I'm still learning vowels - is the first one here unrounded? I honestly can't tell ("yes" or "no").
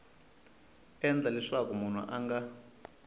yes